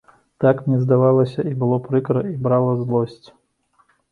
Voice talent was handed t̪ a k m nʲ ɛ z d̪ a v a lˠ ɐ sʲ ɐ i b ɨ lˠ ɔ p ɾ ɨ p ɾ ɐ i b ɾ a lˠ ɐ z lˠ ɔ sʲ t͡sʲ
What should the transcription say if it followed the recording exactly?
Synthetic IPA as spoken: t̪ a k m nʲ ɛ z d̪ a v a lˠ ɐ sʲ ɐ i b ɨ lˠ ɔ p ɾ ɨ k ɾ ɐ i b ɾ a lˠ ɐ z lˠ ɔ sʲ t͡sʲ